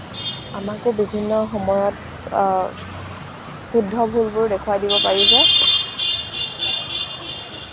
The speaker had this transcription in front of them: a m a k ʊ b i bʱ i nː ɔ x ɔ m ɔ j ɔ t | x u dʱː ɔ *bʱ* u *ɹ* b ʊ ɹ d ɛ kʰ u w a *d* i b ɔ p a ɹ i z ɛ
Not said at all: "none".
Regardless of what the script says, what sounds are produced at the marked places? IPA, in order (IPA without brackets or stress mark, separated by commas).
bʱ, l, d